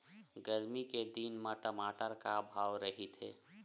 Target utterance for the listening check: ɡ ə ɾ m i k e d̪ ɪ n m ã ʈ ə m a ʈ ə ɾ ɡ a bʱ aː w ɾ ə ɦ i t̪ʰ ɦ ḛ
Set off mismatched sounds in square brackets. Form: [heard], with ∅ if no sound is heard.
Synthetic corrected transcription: ɡ ə ɾ m i k e d̪ [i] n m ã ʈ ə m a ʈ ə ɾ [k] a bʱ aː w ɾ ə ɦ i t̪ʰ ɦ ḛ